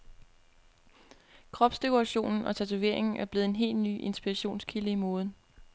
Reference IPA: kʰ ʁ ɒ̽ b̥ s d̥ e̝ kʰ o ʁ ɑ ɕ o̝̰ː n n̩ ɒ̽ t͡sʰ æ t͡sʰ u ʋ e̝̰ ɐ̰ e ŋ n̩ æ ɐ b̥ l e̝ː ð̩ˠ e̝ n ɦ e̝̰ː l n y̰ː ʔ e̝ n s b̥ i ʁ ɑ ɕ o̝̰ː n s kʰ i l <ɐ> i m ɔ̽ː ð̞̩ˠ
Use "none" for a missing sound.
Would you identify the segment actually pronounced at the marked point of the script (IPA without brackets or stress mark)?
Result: ə